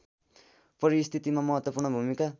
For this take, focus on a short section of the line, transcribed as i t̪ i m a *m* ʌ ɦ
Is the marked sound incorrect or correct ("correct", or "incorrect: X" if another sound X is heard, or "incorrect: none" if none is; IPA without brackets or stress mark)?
correct